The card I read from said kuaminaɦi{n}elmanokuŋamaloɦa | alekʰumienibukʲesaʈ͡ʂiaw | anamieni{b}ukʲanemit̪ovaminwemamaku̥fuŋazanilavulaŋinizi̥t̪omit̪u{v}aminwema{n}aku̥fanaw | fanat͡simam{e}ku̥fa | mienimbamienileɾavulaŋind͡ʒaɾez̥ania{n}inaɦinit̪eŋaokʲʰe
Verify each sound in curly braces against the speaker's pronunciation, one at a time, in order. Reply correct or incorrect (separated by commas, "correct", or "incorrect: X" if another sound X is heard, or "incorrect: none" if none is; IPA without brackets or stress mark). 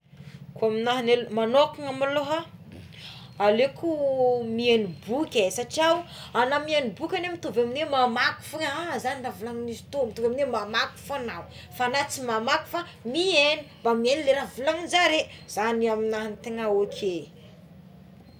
correct, correct, correct, incorrect: m, incorrect: a, incorrect: m